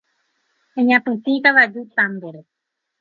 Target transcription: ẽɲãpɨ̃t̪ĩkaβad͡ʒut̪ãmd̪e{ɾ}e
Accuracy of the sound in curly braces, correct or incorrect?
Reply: correct